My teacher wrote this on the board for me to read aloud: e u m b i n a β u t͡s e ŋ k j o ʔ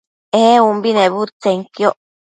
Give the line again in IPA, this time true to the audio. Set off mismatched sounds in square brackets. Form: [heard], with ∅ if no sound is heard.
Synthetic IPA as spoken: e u m b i n [e] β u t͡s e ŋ k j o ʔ